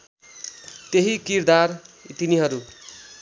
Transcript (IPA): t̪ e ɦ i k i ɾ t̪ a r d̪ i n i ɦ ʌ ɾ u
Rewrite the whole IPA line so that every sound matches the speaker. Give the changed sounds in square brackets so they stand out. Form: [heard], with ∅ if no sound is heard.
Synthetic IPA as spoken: t̪ e ɦ i k i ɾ [d̪] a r [t̪] i n i ɦ ʌ ɾ u

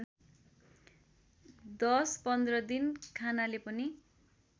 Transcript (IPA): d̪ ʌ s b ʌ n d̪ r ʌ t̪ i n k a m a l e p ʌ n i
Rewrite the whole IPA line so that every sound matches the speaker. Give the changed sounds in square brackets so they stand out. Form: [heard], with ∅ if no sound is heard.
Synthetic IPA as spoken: d̪ ʌ s [p] ʌ n d̪ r ʌ [d̪] i n [kʰ] a [n] a l e p ʌ n i

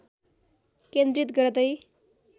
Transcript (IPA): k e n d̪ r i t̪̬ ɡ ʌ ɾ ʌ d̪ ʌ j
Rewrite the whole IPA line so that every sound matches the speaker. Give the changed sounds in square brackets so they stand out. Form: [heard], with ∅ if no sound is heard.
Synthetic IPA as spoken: k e n d̪ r i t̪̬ ɡ ʌ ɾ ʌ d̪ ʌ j

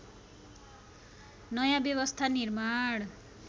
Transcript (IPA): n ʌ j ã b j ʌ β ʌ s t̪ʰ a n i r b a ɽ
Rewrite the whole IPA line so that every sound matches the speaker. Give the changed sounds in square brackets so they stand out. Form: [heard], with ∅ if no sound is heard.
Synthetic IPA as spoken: n ʌ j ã b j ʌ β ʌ s t̪ʰ a n i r [m] a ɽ

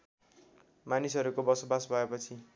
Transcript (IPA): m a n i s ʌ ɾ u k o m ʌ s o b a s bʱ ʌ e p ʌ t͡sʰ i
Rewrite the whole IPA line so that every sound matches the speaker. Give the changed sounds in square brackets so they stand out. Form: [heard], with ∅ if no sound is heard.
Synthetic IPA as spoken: m a n i s ʌ ɾ u k o [b] ʌ s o b a s bʱ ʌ e p ʌ t͡sʰ i

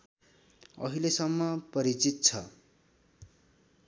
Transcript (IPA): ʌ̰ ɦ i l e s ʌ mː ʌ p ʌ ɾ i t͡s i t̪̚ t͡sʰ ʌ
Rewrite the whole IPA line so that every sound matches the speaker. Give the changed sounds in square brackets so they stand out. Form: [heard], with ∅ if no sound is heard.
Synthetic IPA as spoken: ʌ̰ ɦ i l e s ʌ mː ʌ p ʌ ɾ i t͡s i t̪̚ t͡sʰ ʌ

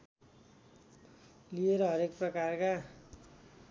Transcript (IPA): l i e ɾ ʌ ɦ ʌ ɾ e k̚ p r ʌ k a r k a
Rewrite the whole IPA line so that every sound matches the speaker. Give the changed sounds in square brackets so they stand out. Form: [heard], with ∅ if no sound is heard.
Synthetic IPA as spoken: l i e ɾ ʌ ɦ ʌ ɾ e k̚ p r ʌ k a r k a

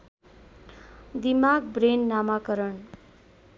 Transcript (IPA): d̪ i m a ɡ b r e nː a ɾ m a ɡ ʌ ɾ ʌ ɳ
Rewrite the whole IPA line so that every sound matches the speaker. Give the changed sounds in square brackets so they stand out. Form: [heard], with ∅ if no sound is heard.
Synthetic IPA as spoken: d̪ i m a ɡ b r e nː a [∅] m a [k] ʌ ɾ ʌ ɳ

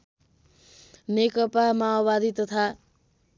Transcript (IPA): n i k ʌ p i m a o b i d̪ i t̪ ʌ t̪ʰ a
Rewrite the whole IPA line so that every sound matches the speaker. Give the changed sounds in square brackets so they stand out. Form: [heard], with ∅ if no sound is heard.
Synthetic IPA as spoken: n [e] k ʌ p [a] m a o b [a] d̪ i t̪ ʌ t̪ʰ a

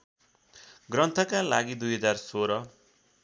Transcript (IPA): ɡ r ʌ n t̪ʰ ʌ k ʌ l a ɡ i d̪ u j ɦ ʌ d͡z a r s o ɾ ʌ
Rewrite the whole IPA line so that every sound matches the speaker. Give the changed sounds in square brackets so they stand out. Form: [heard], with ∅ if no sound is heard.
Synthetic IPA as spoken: ɡ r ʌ n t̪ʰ ʌ k [a] l a ɡ i d̪ u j ɦ ʌ d͡z a r s o ɾ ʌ

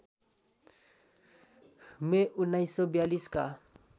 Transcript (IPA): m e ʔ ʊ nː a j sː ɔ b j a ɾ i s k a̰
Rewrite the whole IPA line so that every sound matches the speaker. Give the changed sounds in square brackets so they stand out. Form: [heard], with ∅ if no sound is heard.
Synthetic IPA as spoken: m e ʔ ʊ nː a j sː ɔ b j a [l] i s k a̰

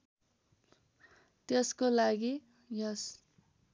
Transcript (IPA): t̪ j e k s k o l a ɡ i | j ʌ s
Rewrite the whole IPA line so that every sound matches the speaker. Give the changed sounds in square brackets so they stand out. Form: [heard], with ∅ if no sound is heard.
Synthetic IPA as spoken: t̪ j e [∅] s k o l a ɡ i | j ʌ s

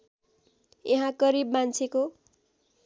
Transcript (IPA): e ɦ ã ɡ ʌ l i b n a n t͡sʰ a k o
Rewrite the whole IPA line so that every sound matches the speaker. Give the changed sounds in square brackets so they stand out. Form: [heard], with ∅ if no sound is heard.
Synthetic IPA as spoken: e ɦ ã ɡ ʌ [ɾ] i b [m] a n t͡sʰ [e] k o

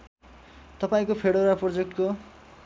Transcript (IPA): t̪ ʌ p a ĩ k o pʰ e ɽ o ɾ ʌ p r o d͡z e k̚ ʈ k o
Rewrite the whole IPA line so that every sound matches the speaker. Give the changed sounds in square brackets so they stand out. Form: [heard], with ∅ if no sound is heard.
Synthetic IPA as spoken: t̪ ʌ p a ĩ k o pʰ e ɽ o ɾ [a] p r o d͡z e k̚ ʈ k o

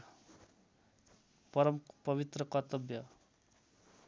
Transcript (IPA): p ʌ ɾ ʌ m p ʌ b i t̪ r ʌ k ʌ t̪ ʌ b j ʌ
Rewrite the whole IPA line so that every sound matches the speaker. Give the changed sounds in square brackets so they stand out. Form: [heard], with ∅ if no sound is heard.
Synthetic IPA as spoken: p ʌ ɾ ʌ m p ʌ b i t̪ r ʌ k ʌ t̪ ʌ b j ʌ

